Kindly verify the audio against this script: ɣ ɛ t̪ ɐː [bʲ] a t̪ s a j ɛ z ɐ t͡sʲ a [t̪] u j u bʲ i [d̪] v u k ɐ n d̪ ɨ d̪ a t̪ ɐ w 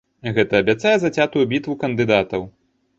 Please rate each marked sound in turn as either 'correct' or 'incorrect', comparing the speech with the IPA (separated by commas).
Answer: correct, correct, incorrect